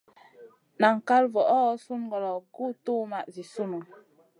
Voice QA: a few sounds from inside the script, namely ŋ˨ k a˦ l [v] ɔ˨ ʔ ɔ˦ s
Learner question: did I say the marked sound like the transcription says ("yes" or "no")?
yes